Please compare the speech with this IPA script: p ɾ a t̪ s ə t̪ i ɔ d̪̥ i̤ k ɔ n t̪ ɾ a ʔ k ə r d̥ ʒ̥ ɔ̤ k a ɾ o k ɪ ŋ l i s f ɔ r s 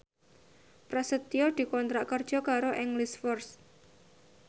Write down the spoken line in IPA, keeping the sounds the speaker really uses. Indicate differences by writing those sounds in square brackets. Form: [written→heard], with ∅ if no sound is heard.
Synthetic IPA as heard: p ɾ a [t̪→∅] s ə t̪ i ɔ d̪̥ i̤ k ɔ n t̪ ɾ a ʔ k ə r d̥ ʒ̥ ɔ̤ k a ɾ o [k→ʔ] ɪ ŋ l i s f ɔ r s